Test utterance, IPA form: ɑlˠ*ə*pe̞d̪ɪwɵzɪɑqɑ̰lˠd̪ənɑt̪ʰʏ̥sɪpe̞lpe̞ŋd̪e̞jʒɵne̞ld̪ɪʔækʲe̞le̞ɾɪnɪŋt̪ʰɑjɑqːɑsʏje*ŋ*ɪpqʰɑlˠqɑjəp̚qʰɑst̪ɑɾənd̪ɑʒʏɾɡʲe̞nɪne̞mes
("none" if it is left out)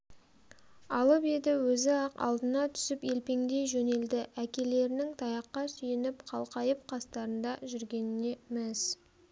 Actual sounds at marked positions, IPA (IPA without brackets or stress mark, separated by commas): ə, n